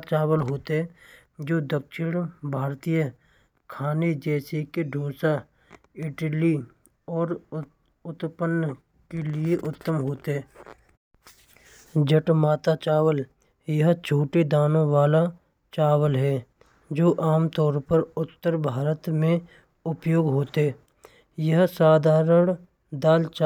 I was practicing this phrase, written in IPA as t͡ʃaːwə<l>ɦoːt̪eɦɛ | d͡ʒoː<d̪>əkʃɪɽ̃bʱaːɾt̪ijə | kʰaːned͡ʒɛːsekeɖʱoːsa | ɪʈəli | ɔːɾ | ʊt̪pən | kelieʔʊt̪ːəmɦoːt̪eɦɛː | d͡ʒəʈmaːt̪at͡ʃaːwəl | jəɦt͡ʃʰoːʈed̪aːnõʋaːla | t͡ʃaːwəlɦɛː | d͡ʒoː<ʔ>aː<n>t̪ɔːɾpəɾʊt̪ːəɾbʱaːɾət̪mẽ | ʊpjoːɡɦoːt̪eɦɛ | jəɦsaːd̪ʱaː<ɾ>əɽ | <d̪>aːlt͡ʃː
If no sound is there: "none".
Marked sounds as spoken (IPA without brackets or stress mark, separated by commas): l, d̪, ʔ, m, ɾ, d̪